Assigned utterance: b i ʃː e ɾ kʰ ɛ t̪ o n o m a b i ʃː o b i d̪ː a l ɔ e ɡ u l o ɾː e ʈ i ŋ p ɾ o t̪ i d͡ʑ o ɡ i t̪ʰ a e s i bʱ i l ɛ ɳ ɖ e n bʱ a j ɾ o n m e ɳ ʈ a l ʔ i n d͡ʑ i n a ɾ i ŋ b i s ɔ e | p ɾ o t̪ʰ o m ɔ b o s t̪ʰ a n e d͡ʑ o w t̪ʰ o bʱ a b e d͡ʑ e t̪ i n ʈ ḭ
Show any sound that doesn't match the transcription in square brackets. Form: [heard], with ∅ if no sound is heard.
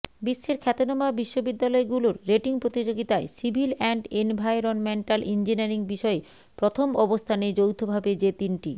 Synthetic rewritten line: b i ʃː e ɾ kʰ ɛ t̪ o n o m a b i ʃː o b i d̪ː a l ɔ e ɡ u l o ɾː e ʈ i ŋ p ɾ o t̪ i d͡ʑ o ɡ i [t̪] a e s i bʱ i l ɛ ɳ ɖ e n bʱ a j ɾ o n m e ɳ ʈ a l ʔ i n d͡ʑ i n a ɾ i ŋ b i [ʃ] ɔ e | p ɾ o t̪ʰ o m ɔ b o s t̪ʰ a n e d͡ʑ o w t̪ʰ o bʱ a b e d͡ʑ e t̪ i n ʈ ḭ